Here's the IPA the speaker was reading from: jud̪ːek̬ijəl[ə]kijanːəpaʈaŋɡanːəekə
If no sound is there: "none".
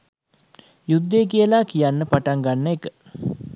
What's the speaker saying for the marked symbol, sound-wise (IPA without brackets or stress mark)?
a